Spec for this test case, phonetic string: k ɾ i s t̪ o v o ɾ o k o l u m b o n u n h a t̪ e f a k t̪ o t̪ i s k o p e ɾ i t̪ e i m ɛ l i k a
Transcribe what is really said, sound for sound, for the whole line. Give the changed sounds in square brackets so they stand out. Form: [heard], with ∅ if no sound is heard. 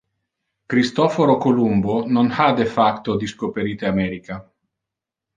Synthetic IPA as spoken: k ɾ i s t̪ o [f] o ɾ o k o l u m b o n [o] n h a [d̪] e f a k t̪ o [d̪] i s k o p e ɾ i t̪ e [a] m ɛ [ɾ] i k a